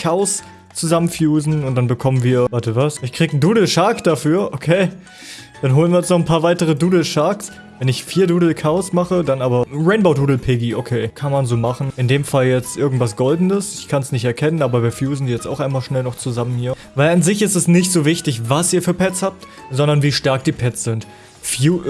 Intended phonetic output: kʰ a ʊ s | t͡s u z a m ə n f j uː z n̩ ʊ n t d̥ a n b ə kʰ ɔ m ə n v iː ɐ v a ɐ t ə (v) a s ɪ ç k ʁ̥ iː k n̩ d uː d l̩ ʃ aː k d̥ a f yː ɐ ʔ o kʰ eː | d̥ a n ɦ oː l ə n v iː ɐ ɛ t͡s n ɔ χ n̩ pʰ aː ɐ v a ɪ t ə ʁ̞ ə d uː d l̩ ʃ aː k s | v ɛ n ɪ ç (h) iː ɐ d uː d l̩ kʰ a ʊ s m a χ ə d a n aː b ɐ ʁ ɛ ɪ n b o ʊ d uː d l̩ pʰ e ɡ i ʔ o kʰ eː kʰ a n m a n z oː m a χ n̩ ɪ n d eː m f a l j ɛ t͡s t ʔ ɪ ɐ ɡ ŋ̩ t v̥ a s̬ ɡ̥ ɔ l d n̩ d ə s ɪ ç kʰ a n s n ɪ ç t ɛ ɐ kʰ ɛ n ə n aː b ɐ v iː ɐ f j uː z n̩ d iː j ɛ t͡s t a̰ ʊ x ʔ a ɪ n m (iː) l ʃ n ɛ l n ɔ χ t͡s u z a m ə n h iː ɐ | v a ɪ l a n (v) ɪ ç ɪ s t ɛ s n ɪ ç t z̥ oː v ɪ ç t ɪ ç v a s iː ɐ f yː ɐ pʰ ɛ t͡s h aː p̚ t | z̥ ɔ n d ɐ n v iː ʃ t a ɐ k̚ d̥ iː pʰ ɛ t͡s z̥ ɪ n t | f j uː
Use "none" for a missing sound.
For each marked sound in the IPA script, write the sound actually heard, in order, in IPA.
v, f, aː, z

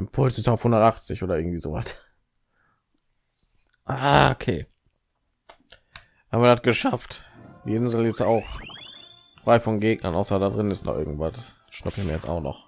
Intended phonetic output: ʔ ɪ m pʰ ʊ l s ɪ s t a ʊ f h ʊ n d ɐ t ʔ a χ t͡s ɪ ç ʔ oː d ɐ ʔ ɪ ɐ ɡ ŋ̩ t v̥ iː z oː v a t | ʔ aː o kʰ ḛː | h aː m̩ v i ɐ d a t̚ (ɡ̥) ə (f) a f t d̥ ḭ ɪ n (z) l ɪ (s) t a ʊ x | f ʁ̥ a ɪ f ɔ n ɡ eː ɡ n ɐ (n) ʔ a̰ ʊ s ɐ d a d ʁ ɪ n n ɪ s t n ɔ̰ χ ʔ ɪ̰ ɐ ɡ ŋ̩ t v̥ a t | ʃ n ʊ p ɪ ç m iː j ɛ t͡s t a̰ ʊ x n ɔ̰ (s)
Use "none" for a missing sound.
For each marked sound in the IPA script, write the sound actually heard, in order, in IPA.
ɡ̥, ʃ, z, s, n, χ

